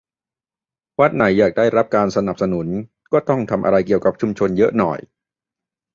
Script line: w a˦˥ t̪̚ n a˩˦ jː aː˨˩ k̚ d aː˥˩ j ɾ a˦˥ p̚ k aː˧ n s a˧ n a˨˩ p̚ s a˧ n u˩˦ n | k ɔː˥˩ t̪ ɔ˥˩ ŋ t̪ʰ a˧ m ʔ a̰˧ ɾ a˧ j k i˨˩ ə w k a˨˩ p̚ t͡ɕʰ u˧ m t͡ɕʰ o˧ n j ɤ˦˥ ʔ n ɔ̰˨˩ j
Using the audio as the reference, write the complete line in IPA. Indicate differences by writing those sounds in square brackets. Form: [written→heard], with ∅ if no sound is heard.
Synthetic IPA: w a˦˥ t̪̚ n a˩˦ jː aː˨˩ k̚ d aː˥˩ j ɾ a˦˥ p̚ k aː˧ n s a˧ n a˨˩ p̚ s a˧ n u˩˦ n | k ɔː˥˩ t̪ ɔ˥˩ ŋ t̪ʰ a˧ m ʔ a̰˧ ɾ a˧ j k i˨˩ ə w k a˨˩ p̚ t͡ɕʰ u˧ m t͡ɕʰ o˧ n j ɤ˦˥ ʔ n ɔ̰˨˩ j